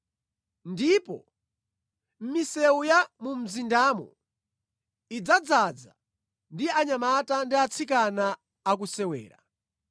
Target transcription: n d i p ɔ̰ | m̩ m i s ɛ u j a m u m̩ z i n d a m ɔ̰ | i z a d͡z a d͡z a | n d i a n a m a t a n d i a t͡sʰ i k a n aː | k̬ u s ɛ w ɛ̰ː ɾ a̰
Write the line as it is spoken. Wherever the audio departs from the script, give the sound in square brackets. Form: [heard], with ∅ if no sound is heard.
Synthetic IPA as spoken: n d i p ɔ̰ | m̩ m i s ɛ u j a m u m̩ z i n d a m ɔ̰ | i [d͡z] a d͡z a d͡z a | n d i a [ɲ] a m a t a n d i a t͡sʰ i k a n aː | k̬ u s ɛ w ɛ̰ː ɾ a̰